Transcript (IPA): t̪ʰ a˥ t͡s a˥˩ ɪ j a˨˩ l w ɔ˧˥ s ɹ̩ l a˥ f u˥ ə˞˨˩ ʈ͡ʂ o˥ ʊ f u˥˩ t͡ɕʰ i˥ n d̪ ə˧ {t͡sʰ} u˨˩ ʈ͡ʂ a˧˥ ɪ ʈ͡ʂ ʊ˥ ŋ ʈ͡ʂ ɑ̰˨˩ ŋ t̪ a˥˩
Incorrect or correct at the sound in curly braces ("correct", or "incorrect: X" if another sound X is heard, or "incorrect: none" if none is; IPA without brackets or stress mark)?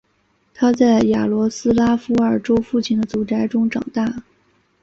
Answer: incorrect: t͡s